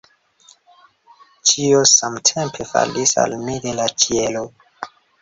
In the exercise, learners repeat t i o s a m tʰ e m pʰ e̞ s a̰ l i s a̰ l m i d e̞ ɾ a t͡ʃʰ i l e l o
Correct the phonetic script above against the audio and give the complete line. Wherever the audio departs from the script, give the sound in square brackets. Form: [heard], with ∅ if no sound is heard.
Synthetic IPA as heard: [t͡ʃ] i o s a m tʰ e m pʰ e̞ [f] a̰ l i s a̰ l m i d e̞ [l] a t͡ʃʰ i [∅] e l o